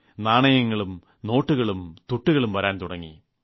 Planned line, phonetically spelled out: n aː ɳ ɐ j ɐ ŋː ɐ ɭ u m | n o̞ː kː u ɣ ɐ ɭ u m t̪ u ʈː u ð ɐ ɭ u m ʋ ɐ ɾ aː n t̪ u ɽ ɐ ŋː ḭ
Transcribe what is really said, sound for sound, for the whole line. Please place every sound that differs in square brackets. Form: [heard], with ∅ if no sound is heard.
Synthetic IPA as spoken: n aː ɳ ɐ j ɐ ŋː ɐ ɭ u m | n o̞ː [ʈː] u ɣ ɐ ɭ u m t̪ u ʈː u [ɣ] ɐ ɭ u m ʋ ɐ ɾ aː n t̪ u ɽ ɐ ŋː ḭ